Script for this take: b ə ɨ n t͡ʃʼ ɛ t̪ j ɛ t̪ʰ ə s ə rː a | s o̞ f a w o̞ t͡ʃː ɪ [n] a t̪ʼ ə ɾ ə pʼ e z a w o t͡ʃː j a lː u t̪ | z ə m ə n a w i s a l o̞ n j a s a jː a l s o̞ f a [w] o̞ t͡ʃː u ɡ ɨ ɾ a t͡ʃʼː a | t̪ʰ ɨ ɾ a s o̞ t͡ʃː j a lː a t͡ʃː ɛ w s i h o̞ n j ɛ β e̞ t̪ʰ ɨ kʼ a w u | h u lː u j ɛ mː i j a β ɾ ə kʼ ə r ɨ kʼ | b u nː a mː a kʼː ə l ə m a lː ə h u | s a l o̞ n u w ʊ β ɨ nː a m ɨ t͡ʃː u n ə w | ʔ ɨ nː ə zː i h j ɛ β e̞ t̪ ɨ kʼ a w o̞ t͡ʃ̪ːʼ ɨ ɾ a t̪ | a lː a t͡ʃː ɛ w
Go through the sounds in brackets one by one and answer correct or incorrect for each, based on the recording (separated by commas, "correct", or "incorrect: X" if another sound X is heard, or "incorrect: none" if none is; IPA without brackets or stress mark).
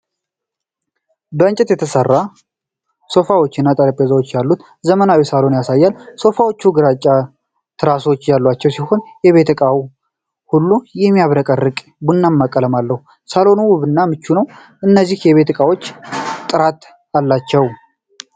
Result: incorrect: nː, correct